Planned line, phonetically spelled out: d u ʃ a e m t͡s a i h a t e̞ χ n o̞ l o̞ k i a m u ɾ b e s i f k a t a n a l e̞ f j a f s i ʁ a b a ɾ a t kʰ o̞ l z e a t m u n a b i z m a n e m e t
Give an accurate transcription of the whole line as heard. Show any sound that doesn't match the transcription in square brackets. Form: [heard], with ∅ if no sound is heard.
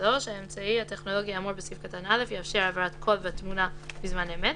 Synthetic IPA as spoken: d [o] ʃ a e m t͡s a i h a t e̞ χ n o̞ l o̞ [ɡ] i a m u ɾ b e s i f k a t a n a l e̞ f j a f [ʃ] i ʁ a [v] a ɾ a t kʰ o̞ l [v] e a t m u n a b i z m a n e m e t